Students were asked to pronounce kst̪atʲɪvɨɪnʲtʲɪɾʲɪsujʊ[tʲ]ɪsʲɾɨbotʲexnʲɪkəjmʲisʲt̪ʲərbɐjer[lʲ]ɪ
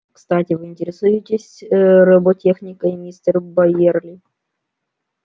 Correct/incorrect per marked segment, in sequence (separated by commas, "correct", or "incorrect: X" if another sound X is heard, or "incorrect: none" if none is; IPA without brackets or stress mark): correct, correct